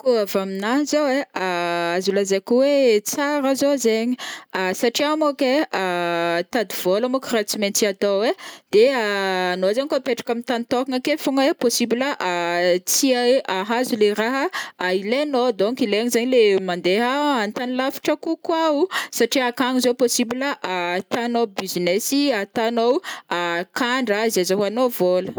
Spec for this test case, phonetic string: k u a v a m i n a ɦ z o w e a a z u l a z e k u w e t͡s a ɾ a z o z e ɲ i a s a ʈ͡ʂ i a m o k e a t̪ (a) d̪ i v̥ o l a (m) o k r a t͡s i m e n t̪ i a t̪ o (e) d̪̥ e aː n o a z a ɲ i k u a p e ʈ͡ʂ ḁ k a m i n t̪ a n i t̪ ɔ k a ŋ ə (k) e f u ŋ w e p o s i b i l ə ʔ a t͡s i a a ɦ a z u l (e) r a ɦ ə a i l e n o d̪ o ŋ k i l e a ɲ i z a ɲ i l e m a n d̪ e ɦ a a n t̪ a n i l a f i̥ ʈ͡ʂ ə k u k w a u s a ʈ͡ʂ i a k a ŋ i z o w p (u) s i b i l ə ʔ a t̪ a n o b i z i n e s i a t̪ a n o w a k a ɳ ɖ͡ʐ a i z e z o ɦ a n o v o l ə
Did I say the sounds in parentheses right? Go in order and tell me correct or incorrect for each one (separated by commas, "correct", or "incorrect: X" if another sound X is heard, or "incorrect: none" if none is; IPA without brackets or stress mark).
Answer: correct, correct, correct, correct, correct, incorrect: o